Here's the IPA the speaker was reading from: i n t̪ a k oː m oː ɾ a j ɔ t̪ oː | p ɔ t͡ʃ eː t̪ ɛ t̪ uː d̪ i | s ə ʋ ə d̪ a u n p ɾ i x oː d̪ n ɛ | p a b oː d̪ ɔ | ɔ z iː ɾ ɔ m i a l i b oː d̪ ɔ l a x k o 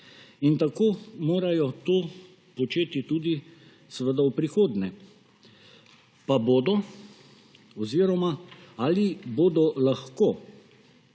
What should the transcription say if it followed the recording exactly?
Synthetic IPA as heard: i n t̪ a k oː m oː ɾ a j ɔ t̪ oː | p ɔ t͡ʃ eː t̪ i t̪ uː d̪ i | s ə ʋ ə d̪ a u p ɾ i x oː d̪ n ɛ | p a b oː d̪ ɔ | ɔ z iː ɾ ɔ m a a l i b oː d̪ ɔ l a x k o